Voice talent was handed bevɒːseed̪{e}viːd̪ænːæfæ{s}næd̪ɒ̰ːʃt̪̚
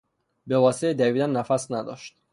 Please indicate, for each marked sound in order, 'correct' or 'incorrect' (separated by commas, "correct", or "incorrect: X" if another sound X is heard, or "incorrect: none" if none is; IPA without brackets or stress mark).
incorrect: æ, correct